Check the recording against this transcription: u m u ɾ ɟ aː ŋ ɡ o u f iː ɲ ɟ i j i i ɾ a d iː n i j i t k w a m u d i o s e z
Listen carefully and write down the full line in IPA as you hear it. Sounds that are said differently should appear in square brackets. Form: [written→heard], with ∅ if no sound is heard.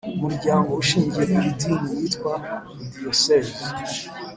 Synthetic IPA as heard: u m u ɾ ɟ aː ŋ ɡ o u [f→ʃ] iː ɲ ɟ i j [i→e] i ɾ [a→i] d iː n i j i t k w a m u d i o s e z